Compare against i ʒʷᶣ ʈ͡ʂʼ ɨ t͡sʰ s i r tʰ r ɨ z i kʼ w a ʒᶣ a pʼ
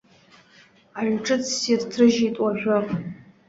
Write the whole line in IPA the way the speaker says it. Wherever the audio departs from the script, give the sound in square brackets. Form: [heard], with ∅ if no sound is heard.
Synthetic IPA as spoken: [a] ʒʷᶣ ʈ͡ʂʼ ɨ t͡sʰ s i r tʰ r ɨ [ʒ] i [tʼ] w a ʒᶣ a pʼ